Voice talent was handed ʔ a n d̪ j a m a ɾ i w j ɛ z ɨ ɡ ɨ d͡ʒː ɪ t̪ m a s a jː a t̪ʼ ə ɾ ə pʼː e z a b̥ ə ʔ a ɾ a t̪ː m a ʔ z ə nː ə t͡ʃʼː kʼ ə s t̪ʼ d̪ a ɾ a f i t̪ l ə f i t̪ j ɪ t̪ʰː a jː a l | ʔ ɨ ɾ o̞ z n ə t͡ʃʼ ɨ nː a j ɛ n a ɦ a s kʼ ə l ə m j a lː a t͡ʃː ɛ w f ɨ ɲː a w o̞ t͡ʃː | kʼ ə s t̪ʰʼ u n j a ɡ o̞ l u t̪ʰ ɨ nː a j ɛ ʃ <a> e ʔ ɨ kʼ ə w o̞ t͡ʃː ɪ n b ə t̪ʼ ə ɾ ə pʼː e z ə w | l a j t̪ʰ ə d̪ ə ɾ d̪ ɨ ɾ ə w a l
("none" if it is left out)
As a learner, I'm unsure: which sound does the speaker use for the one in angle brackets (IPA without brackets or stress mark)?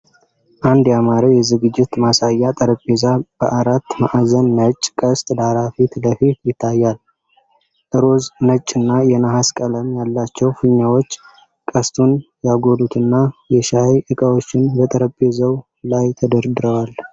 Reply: a